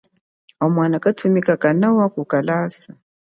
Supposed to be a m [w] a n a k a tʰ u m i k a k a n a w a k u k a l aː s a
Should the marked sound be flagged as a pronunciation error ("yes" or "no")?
no